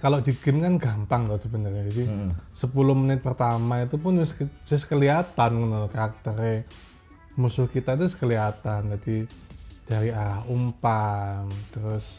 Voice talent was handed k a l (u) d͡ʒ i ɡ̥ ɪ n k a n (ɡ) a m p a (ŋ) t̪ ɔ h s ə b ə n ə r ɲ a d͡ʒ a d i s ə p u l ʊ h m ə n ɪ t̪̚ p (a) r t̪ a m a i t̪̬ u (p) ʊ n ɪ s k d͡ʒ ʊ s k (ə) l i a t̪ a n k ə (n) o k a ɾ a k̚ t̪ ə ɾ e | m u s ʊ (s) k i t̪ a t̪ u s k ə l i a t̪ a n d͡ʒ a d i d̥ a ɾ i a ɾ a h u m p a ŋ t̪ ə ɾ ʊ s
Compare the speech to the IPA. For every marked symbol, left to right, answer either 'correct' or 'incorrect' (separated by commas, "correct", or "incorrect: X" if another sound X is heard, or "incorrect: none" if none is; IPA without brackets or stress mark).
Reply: incorrect: o, correct, correct, incorrect: ə, correct, correct, correct, incorrect: h